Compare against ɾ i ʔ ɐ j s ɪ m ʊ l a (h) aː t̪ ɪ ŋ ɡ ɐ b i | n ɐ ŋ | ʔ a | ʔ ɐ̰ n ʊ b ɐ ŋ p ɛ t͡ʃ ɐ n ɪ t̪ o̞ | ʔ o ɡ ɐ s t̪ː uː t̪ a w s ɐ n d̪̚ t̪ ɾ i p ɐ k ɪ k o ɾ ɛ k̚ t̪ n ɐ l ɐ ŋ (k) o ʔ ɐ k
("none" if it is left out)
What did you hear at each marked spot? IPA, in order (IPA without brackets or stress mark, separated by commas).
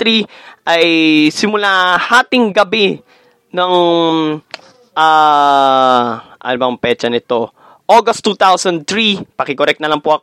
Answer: h, p